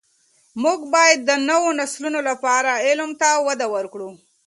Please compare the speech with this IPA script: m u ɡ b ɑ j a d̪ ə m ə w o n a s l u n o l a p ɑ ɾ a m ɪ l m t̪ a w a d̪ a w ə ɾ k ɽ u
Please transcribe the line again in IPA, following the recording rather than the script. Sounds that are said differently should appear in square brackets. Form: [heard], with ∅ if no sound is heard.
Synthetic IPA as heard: m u ɡ b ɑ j a [d̪ː] ə [n] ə w o n a s l u n o l a p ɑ ɾ a [∅] ɪ l m t̪ a w a d̪ a w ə ɾ k ɽ u